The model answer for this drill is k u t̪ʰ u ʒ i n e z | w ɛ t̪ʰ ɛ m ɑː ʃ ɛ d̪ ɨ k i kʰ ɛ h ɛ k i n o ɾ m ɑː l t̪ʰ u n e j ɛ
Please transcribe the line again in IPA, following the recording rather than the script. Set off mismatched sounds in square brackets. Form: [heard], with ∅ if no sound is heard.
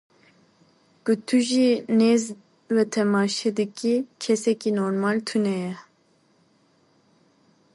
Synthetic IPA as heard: k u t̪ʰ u ʒ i n e z | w ɛ t̪ʰ ɛ m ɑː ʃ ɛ d̪ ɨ k i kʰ ɛ [s] ɛ k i n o ɾ m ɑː l t̪ʰ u n [ɛ] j ɛ